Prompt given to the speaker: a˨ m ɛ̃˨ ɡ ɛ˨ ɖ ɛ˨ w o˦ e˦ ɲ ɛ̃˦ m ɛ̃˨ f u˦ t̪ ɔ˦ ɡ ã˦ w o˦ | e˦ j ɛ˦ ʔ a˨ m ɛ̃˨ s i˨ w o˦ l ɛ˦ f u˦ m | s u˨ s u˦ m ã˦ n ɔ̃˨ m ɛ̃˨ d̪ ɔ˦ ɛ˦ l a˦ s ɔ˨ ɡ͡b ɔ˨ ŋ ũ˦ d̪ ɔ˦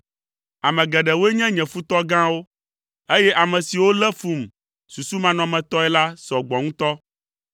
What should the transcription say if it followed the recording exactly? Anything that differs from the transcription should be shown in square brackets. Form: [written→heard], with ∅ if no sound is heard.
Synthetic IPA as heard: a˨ m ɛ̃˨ ɡ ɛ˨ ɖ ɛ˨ w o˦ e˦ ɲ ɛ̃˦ [m→ɲ] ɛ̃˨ f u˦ t̪ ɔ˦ ɡ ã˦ w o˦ | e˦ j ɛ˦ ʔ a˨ m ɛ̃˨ s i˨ w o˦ l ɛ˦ f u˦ m | s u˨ s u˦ m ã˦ n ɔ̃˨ m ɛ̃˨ [d̪→t̪] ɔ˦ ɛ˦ l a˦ s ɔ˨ ɡ͡b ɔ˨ ŋ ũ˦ [d̪→t̪] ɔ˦